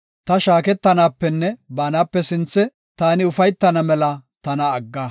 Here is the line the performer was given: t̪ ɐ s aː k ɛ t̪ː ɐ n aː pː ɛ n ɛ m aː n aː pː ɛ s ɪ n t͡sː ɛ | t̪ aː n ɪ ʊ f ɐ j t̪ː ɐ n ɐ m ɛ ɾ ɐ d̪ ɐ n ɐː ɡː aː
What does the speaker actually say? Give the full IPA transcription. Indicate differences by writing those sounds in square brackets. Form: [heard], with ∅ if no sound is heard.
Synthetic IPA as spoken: t̪ ɐ [ʃ] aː k ɛ t̪ː ɐ n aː pː ɛ [nː] ɛ [b] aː n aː pː ɛ s ɪ n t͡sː ɛ | t̪ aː n ɪ ʊ f ɐ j t̪ː ɐ n ɐ m ɛ [l] ɐ [t̪] ɐ n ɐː ɡː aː